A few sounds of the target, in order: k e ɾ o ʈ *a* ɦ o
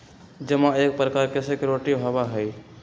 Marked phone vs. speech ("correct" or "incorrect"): incorrect